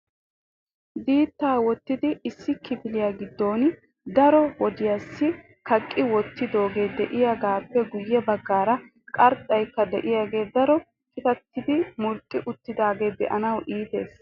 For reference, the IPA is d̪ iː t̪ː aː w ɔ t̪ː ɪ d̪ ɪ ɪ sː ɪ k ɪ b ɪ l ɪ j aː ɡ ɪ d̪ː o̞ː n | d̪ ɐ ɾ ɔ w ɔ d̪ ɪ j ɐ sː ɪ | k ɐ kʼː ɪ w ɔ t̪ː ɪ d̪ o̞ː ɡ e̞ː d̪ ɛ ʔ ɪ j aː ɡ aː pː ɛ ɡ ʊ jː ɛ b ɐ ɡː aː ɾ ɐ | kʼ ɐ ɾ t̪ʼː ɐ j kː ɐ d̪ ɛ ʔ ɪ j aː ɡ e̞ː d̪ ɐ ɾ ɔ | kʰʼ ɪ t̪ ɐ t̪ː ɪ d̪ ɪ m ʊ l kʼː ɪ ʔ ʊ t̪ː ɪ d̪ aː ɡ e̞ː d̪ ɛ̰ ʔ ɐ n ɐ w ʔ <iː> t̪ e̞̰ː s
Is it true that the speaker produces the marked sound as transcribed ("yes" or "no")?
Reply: yes